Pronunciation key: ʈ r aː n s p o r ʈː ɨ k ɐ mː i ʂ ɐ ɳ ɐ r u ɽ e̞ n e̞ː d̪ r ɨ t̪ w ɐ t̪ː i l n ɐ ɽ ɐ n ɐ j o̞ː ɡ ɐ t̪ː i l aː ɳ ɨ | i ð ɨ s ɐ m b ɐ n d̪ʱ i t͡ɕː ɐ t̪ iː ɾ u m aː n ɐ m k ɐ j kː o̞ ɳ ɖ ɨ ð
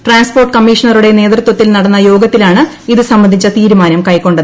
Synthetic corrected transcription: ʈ r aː n s p o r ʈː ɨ k ɐ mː i ʂ ɐ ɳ ɐ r u ɽ e̞ n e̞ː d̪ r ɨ t̪ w ɐ t̪ː i l n ɐ ɽ ɐ nː ɐ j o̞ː ɡ ɐ t̪ː i l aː ɳ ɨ | i ð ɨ s ɐ m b ɐ n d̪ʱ i t͡ɕː ɐ t̪ iː ɾ u m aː n ɐ m k ɐ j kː o̞ ɳ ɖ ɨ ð